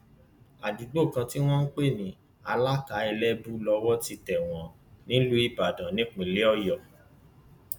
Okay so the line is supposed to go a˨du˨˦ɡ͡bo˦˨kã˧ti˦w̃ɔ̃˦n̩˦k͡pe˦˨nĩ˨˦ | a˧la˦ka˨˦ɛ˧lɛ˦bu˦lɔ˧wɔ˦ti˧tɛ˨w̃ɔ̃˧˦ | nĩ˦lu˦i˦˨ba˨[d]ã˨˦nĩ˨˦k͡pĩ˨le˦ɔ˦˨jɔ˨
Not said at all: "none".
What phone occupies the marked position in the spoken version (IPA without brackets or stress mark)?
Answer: d